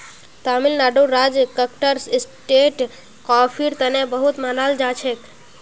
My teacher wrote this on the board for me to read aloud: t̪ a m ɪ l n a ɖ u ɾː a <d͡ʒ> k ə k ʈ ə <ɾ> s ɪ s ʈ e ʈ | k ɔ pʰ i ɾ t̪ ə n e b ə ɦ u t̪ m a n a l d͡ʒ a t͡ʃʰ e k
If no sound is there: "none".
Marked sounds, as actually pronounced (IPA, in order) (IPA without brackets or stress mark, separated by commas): d͡ʒ, ɾ